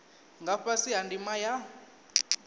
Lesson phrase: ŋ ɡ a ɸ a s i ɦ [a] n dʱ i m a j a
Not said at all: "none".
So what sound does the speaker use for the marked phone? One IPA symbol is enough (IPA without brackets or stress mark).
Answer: a